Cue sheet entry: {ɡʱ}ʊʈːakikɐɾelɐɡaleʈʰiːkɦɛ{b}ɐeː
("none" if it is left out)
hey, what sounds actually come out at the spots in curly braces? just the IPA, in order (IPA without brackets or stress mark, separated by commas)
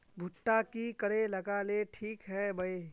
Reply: bʱ, b